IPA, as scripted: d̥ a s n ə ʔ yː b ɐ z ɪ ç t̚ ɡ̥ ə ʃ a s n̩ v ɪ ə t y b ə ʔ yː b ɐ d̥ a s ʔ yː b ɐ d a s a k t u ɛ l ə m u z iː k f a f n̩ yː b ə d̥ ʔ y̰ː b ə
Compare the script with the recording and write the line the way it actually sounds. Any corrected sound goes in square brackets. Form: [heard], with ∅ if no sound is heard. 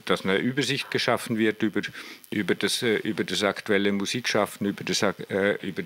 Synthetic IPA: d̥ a s n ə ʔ yː b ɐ z ɪ ç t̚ ɡ̥ ə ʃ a [f] n̩ v ɪ [ɐ] t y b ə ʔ yː b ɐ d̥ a s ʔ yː b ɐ d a s a k t u ɛ l ə m u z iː k [ʃ] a f n̩ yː b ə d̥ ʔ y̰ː b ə